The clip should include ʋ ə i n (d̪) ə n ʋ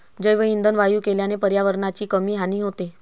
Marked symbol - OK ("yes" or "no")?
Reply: yes